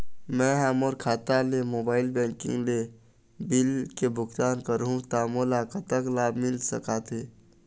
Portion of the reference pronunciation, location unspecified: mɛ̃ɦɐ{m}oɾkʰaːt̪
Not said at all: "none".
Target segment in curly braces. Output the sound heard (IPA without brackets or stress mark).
m